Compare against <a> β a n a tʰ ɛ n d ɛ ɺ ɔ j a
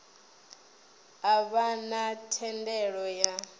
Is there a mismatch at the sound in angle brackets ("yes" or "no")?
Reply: no